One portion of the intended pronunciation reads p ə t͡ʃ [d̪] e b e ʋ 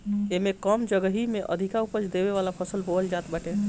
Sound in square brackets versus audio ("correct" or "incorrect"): correct